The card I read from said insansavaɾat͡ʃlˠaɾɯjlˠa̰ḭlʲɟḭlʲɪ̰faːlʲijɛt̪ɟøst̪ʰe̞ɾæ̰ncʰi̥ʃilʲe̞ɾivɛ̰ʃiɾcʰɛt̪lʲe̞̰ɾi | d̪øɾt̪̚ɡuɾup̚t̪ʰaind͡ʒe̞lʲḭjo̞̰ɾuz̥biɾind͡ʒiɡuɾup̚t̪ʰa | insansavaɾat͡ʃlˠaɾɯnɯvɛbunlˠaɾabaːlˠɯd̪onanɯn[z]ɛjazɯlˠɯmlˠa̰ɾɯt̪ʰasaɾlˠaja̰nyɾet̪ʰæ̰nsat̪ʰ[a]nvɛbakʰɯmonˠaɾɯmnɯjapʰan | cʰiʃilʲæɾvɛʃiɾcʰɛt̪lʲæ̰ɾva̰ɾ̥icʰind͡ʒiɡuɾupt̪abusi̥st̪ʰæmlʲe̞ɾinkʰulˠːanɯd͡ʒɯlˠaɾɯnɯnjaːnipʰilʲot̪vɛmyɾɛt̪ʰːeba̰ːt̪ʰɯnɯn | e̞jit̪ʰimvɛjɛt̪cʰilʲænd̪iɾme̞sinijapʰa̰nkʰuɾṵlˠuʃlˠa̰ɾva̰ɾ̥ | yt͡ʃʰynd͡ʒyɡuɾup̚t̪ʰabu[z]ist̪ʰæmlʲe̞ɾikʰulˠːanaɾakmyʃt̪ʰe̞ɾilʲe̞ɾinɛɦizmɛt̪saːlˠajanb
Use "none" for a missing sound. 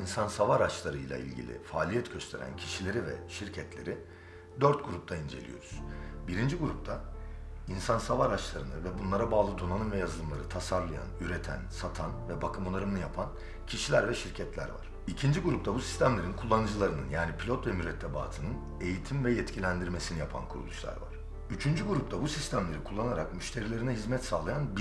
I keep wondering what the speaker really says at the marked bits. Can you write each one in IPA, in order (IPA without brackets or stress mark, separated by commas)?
v, a, s